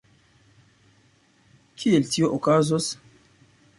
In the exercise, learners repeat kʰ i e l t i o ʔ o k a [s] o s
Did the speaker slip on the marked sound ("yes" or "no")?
yes